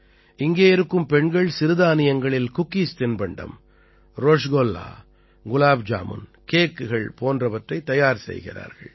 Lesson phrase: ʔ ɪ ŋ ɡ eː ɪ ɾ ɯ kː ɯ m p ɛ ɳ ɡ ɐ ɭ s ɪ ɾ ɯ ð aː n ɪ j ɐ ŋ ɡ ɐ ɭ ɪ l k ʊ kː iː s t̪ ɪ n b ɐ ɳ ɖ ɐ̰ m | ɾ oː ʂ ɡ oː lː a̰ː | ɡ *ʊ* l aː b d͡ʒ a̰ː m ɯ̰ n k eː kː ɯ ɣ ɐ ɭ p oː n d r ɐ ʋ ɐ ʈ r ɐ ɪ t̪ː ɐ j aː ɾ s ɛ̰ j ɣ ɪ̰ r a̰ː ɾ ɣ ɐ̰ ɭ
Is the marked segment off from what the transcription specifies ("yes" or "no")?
no